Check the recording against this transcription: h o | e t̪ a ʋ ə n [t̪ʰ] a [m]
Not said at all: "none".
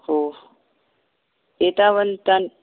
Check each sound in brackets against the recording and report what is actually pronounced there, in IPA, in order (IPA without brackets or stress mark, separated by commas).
t̪, n